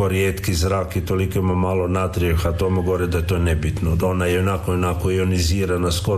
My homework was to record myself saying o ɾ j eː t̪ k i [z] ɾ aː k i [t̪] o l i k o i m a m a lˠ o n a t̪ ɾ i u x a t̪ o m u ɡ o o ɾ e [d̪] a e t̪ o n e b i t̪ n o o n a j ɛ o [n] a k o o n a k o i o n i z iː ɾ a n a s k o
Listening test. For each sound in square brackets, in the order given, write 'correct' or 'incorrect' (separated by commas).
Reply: correct, correct, correct, correct